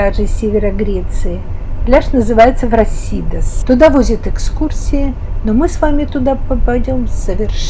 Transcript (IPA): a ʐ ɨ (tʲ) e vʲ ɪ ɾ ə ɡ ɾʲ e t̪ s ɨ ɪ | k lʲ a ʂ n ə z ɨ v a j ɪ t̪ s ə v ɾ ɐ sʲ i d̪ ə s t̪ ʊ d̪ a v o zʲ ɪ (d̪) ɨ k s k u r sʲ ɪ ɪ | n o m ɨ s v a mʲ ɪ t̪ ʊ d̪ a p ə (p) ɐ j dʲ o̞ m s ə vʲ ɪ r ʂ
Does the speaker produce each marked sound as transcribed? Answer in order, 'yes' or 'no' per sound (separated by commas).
no, no, yes